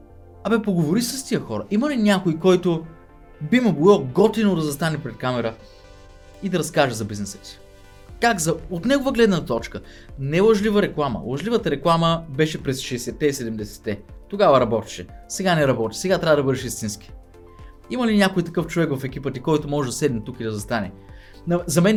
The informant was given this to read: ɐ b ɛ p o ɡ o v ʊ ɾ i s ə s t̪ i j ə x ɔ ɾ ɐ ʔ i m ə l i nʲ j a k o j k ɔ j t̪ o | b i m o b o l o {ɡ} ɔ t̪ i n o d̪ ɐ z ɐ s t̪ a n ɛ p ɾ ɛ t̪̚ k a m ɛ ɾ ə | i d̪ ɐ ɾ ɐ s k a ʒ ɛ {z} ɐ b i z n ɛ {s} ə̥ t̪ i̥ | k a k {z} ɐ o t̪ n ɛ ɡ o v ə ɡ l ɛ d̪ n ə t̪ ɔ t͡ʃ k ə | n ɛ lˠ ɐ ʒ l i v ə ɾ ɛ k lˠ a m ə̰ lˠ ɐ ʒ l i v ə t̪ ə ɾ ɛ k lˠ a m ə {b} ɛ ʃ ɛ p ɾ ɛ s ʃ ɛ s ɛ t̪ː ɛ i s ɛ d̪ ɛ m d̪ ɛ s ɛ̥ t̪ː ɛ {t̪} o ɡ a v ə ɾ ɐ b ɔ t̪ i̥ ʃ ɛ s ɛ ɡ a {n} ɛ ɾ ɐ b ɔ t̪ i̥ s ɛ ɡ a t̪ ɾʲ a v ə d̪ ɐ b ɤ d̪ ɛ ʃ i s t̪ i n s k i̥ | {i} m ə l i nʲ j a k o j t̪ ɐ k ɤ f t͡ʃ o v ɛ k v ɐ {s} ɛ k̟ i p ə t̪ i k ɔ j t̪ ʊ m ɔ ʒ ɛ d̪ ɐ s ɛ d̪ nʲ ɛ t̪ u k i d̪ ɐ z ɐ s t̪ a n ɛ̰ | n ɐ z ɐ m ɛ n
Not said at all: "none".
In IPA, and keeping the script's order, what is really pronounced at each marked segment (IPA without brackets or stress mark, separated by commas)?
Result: ɡ, z, s, z, b, t̪, n, i, f